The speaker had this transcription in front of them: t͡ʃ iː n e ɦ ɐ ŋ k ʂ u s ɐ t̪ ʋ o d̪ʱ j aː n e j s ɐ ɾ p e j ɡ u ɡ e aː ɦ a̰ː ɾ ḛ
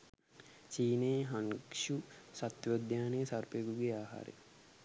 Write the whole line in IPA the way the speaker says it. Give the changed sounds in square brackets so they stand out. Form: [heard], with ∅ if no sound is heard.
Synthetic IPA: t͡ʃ iː n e ɦ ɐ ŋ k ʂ u s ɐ t̪ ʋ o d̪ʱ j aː n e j s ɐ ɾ p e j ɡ u ɡ e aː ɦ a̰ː ɾ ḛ